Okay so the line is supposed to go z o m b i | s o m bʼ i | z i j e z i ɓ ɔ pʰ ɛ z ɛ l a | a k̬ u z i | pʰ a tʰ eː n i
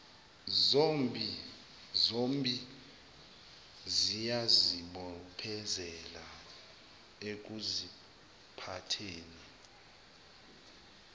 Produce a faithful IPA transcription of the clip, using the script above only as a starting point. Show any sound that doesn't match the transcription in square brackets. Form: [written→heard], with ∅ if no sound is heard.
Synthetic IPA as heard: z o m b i | [s→z] o m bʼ i | z i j [e→a] z i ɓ ɔ pʰ ɛ z ɛ l a | [a→e] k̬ u z i | pʰ a tʰ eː n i